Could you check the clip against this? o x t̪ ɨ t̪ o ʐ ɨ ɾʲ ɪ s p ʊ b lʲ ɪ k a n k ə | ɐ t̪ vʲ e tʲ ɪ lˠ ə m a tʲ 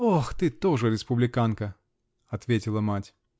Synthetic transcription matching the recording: o x t̪ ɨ t̪ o ʐ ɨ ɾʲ ɪ s p ʊ b lʲ ɪ k a n k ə | ɐ t̪ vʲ e tʲ ɪ lˠ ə m a tʲ